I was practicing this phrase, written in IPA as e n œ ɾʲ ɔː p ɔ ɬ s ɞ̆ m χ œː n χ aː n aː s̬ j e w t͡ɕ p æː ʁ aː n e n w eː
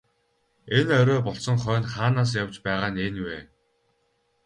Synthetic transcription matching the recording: e n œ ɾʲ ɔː p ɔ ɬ s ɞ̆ ŋ χ œː n χ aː n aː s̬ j a w t͡ɕ p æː ʁ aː n e n w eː